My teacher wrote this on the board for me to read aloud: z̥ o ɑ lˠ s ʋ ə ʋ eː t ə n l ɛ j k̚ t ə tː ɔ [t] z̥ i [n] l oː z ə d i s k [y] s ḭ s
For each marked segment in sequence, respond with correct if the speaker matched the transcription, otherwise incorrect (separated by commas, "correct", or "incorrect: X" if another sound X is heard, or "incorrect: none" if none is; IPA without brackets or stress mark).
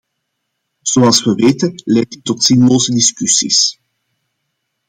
correct, correct, correct